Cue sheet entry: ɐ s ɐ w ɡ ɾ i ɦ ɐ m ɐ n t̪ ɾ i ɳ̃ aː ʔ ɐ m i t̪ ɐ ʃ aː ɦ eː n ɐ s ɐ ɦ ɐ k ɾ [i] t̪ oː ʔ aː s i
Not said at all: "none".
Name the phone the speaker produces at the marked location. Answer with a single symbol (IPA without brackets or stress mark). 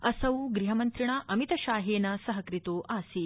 i